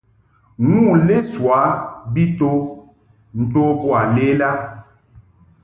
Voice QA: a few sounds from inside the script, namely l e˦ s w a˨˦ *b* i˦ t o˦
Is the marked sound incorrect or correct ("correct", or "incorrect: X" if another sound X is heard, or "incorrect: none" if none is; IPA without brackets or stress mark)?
correct